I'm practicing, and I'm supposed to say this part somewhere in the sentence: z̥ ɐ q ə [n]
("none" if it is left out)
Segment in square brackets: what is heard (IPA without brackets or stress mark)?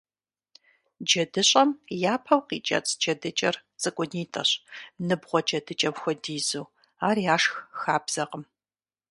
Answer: m